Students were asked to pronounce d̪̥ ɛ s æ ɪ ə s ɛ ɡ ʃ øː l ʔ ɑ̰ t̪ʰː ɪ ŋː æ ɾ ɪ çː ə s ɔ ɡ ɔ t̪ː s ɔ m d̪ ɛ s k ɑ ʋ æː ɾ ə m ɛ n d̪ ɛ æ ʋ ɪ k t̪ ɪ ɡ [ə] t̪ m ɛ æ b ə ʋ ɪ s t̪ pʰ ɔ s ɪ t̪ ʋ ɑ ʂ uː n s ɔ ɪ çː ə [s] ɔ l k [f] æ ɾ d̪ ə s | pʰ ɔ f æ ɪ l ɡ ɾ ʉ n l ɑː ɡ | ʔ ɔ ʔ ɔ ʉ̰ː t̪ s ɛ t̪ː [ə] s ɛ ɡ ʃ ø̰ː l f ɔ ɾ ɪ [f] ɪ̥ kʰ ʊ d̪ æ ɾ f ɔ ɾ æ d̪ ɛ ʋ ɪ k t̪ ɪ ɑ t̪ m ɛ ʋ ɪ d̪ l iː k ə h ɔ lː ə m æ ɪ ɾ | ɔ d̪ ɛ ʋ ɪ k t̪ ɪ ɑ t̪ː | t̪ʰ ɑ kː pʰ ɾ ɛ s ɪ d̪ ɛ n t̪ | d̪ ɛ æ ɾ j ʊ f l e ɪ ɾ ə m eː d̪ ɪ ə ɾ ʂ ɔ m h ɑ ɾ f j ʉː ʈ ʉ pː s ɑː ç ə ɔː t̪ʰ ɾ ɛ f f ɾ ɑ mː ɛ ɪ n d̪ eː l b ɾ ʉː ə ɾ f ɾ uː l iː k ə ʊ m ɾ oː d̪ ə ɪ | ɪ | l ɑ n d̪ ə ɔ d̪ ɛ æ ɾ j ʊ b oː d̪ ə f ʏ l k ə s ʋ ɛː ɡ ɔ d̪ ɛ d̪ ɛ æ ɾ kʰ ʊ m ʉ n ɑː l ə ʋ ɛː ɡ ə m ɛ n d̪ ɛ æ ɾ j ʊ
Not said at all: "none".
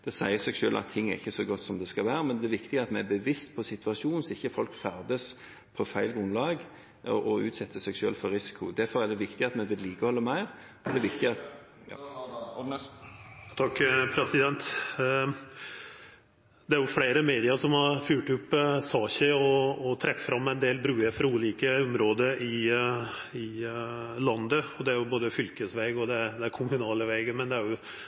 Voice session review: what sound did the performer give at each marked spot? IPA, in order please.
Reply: ɑ, f, f, ə, s

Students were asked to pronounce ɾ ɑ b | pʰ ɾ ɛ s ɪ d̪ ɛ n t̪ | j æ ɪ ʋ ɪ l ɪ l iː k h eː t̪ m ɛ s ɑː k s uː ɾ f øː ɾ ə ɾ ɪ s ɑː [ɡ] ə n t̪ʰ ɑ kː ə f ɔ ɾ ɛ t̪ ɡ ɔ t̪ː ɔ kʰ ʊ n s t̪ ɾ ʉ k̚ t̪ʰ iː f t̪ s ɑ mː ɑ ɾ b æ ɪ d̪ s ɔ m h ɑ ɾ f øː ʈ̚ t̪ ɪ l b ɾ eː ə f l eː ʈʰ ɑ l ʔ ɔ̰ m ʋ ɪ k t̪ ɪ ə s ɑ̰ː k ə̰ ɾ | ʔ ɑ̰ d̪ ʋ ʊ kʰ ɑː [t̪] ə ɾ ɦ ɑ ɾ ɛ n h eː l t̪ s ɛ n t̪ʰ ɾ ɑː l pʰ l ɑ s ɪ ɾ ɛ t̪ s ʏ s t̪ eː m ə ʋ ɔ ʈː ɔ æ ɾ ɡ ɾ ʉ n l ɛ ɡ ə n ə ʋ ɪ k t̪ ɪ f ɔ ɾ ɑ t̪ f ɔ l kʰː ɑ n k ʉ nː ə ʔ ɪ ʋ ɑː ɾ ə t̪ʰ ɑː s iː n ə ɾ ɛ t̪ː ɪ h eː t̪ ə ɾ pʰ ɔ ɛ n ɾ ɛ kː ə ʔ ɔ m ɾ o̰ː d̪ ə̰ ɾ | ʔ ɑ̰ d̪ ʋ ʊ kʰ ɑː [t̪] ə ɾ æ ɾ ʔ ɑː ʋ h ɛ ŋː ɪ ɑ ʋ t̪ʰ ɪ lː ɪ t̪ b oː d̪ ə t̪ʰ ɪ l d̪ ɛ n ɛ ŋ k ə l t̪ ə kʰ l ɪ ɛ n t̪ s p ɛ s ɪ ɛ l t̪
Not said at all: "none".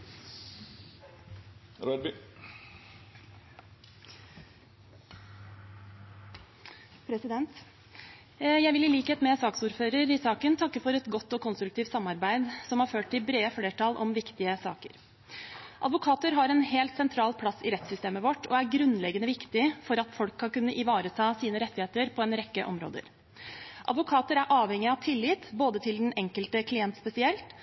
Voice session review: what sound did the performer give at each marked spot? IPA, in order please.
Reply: k, t̪, t̪

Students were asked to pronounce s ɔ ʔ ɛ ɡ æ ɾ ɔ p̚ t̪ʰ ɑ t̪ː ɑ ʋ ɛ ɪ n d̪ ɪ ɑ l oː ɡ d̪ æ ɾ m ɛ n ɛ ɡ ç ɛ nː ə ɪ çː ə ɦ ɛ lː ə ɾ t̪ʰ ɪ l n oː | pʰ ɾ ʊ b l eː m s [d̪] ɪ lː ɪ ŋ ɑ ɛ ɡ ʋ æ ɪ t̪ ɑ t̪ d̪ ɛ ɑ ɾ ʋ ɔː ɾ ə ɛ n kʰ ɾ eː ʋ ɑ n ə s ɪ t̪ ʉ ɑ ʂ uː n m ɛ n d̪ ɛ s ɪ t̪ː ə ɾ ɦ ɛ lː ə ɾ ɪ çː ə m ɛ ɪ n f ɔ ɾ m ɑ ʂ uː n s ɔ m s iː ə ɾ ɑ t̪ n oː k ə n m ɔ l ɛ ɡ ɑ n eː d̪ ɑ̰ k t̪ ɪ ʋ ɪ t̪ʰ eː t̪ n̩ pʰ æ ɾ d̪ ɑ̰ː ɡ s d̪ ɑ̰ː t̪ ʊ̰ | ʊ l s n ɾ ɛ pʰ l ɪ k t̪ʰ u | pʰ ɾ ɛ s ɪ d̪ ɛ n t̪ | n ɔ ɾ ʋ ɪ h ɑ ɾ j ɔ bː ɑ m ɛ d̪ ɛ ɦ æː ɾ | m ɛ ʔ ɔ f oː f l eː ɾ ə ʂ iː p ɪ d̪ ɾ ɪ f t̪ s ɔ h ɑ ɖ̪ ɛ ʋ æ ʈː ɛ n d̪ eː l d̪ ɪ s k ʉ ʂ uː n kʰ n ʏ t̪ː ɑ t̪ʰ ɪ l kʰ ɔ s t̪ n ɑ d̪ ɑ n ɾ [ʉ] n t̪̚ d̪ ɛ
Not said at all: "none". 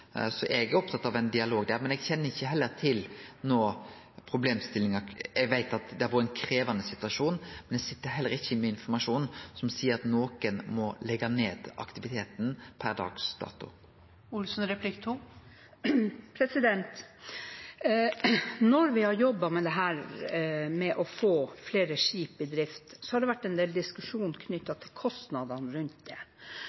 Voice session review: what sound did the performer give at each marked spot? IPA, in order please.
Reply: t̪, ʉ

